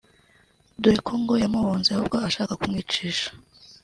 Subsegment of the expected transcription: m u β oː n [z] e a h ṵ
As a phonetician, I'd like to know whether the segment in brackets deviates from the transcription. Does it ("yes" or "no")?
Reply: no